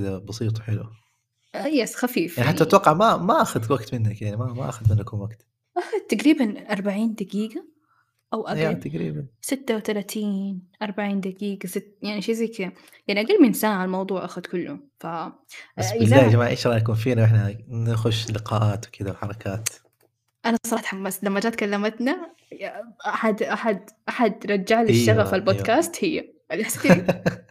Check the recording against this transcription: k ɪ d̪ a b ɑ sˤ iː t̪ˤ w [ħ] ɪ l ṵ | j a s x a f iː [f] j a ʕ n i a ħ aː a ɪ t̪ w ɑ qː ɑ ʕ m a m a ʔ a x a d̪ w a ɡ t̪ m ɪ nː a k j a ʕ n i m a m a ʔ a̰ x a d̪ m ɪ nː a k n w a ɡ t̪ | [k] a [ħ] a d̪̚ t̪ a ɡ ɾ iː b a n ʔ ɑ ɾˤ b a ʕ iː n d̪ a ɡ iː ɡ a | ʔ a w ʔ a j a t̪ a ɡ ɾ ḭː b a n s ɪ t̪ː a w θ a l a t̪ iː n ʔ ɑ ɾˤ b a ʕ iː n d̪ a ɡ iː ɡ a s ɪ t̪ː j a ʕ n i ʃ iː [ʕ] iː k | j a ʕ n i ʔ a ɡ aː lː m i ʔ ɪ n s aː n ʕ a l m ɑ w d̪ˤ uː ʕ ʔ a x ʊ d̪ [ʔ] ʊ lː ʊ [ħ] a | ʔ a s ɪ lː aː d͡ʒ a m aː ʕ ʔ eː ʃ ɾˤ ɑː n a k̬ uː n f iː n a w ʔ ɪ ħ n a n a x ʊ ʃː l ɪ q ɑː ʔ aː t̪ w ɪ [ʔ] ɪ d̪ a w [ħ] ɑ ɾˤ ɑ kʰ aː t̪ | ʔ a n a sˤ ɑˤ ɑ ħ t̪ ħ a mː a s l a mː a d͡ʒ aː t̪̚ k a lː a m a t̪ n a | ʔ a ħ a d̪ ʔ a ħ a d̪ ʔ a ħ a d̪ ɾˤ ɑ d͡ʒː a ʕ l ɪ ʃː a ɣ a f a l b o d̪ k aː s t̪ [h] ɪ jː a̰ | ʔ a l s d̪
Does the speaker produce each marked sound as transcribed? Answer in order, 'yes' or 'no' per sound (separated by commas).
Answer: yes, yes, no, no, no, no, no, no, yes, yes